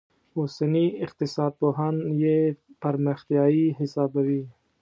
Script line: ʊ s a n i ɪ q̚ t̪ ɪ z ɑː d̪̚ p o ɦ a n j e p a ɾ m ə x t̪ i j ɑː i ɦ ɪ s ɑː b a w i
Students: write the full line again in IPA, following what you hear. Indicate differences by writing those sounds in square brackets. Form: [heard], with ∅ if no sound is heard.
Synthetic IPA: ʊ s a n i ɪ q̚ t̪ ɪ [s] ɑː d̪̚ p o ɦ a n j e p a ɾ m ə x t̪ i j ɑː i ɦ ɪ s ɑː b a w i

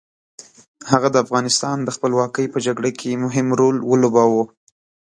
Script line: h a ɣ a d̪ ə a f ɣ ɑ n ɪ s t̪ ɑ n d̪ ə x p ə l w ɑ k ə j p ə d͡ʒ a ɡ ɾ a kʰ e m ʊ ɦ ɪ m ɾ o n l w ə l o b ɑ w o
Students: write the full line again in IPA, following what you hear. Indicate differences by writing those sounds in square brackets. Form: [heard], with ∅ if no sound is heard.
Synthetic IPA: h a ɣ a d̪ ə a f ɣ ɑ n ɪ s t̪ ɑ n d̪ ə x p ə l w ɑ k ə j p ə d͡ʒ a ɡ [ɽ] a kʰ e m ʊ ɦ ɪ m ɾ o [∅] l w ə l o b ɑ w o

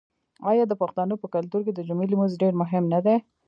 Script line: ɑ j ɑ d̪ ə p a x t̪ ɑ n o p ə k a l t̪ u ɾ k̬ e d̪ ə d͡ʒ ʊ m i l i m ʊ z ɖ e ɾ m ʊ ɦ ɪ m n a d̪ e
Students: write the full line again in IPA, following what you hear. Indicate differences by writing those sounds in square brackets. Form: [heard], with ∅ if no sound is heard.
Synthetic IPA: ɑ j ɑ d̪ ə p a x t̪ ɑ n o p ə k a l t̪ u ɾ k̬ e d̪ ə d͡ʒ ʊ m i l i m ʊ z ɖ e ɾ m ʊ ɦ ɪ m n a d̪ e

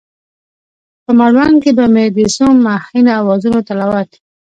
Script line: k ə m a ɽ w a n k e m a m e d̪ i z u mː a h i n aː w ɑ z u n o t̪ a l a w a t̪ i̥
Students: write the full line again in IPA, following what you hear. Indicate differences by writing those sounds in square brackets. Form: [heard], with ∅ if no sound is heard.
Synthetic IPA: [p] ə m a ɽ w a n k e [b] a m e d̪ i [s] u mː a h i n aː w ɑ z u n o t̪ a l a w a t̪ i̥

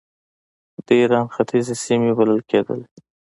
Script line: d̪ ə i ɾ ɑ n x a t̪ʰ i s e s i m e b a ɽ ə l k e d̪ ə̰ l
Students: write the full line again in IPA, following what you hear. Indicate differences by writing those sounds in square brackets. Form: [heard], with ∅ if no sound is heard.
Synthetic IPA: d̪ ə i ɾ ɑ n x a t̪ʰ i [z] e s i m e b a [l] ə l k e d̪ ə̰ l

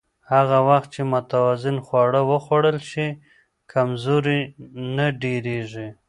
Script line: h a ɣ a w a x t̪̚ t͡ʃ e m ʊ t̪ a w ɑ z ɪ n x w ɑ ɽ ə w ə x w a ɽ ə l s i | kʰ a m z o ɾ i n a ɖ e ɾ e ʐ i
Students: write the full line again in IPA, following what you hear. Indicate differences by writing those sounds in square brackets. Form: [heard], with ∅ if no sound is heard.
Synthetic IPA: h a ɣ a w a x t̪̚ t͡ʃ e m ʊ t̪ a w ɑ z ɪ n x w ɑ ɽ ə w ə x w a ɽ ə l [ʃ] i | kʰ a m z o ɾ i n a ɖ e ɾ e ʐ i

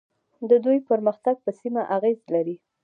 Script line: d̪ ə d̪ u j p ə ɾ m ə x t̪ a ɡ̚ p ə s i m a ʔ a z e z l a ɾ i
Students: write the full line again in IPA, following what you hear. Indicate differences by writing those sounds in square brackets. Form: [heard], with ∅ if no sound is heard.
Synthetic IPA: d̪ ə d̪ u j p ə ɾ m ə x t̪ a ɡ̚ p ə s i m a ʔ a [ɣ] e z l a ɾ i

